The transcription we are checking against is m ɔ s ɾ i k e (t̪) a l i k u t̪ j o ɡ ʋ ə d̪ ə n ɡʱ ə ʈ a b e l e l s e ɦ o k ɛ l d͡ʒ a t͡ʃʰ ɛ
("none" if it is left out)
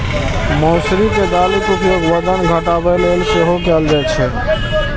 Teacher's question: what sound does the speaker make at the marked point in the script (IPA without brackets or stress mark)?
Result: d̪